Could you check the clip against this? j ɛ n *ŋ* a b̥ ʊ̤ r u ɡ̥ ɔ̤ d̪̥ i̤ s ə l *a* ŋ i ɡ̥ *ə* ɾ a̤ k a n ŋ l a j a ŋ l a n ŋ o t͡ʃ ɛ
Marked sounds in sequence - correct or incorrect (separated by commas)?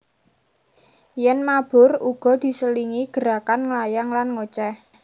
incorrect, incorrect, correct